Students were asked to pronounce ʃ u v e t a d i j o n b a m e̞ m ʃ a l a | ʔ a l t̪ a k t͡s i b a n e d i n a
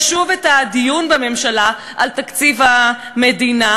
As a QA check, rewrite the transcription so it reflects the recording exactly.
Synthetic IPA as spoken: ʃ u v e t a d i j u n b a m e̞ m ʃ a l a | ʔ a l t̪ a k t͡s i v a m e d i n a